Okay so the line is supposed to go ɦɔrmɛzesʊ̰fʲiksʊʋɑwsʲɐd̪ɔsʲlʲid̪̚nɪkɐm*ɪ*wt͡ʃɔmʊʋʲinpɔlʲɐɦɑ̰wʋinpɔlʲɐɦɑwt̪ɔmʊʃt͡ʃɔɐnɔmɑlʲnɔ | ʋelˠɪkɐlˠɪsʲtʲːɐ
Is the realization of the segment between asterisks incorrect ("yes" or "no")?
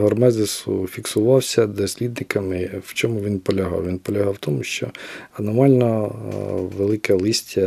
no